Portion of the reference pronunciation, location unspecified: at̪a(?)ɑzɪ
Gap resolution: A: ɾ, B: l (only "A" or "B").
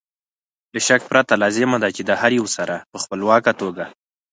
B